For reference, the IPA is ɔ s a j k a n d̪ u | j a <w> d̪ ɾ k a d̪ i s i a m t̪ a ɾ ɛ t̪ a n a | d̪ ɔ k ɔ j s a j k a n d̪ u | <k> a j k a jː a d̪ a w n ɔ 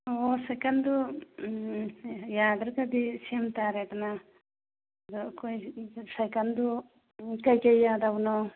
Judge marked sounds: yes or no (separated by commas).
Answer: no, yes